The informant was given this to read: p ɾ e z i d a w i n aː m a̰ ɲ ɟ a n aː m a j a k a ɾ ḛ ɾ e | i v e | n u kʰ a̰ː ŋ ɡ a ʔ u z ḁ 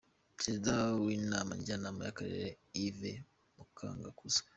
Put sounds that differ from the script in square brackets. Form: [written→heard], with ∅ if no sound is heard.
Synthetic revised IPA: p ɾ e z i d a w i n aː m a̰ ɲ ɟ a n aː m a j a k a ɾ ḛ ɾ e | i v e | [n→m] u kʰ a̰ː ŋ ɡ a [ʔ→k] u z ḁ